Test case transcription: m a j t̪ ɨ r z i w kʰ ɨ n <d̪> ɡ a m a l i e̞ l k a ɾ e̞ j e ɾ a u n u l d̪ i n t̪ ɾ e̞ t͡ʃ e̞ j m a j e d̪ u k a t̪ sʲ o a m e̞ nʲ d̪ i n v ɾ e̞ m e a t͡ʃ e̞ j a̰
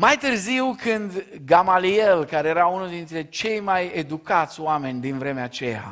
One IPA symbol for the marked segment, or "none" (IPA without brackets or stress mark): d̪